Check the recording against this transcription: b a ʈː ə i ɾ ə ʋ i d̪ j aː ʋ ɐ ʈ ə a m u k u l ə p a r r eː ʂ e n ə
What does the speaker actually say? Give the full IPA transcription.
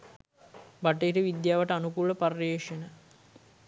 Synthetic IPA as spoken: b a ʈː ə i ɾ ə ʋ i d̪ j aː ʋ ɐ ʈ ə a n u k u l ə p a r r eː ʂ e n ə